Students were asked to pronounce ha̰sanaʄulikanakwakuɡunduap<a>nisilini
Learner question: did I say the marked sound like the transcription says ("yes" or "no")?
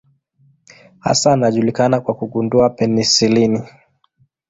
no